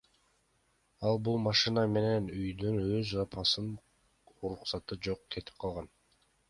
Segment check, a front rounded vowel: present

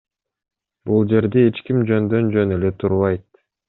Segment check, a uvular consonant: absent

